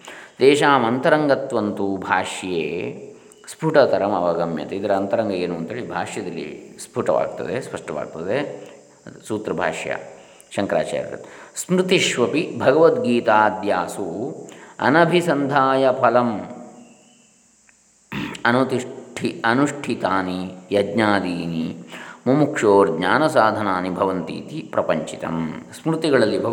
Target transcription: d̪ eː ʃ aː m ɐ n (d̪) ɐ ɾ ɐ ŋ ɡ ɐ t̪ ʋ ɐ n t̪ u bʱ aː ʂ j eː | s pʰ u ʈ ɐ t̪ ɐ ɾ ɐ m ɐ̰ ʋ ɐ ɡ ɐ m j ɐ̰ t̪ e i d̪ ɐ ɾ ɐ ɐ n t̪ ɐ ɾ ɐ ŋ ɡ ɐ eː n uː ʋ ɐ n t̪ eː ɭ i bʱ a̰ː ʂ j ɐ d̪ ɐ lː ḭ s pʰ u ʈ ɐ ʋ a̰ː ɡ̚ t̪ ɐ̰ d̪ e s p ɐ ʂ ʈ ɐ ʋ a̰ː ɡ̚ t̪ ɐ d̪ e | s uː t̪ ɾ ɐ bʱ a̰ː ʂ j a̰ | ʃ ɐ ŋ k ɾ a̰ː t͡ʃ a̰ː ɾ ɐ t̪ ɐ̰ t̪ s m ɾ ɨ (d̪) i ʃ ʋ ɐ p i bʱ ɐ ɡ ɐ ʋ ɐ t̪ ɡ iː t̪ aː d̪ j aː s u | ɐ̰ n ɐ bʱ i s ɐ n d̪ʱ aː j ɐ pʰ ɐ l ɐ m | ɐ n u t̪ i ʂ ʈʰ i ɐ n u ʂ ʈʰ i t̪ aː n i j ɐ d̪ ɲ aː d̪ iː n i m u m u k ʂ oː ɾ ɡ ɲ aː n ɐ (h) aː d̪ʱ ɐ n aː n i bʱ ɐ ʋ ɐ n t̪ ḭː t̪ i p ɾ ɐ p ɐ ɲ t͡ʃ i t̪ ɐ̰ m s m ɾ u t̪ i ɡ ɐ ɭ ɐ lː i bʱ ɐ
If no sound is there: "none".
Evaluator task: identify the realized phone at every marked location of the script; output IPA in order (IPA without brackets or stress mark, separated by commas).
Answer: t̪, t̪, s